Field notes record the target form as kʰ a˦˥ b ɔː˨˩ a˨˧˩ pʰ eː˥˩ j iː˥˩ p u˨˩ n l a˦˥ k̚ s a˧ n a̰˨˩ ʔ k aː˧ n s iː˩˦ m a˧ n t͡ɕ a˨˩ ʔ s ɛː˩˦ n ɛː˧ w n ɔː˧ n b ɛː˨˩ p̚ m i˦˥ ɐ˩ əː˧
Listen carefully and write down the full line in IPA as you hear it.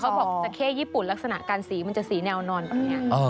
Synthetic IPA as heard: kʰ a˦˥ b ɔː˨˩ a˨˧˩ kʰ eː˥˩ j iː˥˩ p u˨˩ n l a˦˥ k̚ s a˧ n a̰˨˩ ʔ k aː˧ n s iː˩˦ m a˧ n t͡ɕ a˨˩ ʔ s iː˩˦ n ɛː˧ w n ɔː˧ n b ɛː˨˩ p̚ n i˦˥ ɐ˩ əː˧